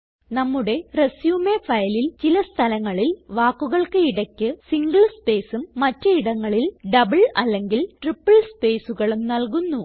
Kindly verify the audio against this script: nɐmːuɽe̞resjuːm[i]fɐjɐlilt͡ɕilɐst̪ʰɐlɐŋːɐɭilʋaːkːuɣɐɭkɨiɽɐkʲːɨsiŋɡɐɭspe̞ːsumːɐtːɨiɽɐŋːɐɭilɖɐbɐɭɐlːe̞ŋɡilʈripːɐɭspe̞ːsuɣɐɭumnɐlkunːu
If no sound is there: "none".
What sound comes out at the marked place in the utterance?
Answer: e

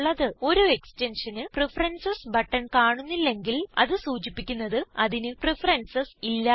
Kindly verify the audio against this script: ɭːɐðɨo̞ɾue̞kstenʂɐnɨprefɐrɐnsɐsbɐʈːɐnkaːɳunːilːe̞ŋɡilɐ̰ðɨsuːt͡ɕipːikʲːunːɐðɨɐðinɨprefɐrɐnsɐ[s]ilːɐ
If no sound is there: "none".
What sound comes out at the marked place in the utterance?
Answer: s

